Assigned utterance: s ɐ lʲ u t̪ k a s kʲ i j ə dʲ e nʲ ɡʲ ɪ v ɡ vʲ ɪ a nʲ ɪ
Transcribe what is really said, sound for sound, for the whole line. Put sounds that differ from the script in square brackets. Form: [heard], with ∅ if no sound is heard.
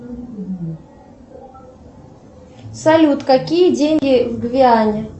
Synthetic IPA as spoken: s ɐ lʲ u t̪ k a [∅] kʲ i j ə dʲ e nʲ ɡʲ ɪ v ɡ vʲ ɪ a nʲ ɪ